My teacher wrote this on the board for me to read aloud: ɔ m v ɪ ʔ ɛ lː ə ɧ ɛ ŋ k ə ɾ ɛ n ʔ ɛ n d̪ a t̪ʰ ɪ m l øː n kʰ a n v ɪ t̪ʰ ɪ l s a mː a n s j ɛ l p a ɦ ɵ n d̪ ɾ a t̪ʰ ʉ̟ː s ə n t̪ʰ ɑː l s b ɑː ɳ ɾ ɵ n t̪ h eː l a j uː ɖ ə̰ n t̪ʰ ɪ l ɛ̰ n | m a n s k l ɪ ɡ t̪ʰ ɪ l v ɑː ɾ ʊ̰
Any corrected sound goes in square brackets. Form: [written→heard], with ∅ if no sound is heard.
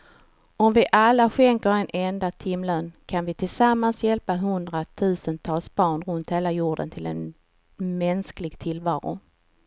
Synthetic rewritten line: ɔ m v ɪ ʔ [ɛ→a] lː [ə→a] ɧ ɛ ŋ k ə ɾ ɛ n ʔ ɛ n d̪ a t̪ʰ ɪ m l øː n kʰ a n v ɪ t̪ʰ ɪ l s a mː a n s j ɛ l p a ɦ ɵ n d̪ ɾ a t̪ʰ ʉ̟ː s ə n t̪ʰ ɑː l s b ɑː ɳ ɾ ɵ n t̪ h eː l a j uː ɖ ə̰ n t̪ʰ ɪ l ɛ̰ n | m [a→ɛ] n s k l ɪ ɡ t̪ʰ ɪ l v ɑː ɾ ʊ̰